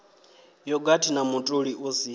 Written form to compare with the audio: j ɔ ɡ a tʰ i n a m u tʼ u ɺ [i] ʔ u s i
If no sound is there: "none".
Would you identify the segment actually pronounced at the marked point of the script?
i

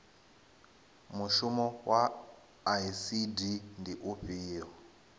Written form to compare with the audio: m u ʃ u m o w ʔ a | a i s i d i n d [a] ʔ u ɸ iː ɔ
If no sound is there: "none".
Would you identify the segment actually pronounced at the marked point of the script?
i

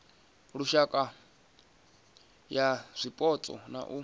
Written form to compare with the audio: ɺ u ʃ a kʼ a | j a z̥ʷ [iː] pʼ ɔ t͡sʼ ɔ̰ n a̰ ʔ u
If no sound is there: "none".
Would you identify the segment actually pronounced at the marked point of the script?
i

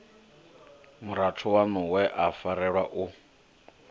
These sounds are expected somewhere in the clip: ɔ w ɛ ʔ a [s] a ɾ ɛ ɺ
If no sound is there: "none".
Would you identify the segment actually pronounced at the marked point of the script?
f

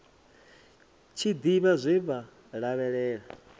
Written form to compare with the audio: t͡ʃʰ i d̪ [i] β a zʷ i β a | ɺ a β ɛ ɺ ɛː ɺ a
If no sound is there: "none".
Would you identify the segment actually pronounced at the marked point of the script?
i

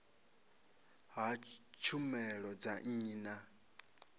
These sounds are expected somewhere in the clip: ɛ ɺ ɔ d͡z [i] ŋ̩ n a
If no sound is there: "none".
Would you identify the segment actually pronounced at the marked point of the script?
a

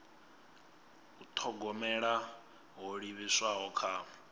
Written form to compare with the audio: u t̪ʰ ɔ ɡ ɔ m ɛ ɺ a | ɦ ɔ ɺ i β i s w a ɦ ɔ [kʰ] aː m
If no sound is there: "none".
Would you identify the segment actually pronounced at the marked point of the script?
kʰ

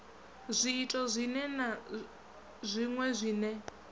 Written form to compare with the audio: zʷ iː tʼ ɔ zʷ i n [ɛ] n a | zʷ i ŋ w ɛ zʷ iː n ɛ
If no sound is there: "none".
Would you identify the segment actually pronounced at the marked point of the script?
ɛ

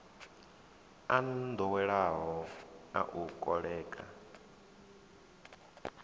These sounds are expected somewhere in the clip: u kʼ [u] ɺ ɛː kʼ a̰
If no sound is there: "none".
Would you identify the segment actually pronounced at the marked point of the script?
ɔ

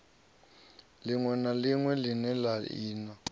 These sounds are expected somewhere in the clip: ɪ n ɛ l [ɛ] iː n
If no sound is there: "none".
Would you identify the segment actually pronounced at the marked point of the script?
a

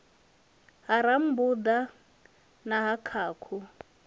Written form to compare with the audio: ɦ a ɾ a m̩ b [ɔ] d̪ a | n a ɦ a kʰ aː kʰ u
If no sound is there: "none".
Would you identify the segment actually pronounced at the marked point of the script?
u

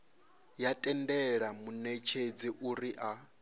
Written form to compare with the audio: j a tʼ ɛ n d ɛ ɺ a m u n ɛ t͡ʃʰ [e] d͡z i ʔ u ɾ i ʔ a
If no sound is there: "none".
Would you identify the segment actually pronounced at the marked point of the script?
e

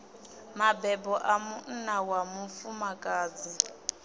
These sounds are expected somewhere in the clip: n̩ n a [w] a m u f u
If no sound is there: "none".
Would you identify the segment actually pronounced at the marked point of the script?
w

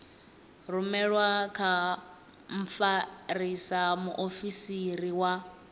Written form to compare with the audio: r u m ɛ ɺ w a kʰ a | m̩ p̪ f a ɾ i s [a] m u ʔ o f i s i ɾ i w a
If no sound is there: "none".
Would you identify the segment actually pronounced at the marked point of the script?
a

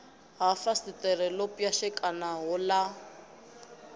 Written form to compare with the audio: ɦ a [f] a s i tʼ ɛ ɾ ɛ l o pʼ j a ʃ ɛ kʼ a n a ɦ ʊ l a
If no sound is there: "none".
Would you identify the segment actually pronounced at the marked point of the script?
f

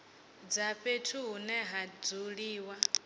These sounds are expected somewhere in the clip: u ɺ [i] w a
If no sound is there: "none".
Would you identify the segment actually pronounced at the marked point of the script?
iː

